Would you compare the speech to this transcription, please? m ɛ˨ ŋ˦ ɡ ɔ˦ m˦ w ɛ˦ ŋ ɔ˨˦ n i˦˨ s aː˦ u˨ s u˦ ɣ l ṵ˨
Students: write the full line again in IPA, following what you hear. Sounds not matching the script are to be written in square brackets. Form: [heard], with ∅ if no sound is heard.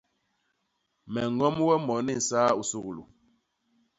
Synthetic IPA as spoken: m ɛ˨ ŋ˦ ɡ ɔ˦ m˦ w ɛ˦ [m] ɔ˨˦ n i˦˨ s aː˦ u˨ s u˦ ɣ l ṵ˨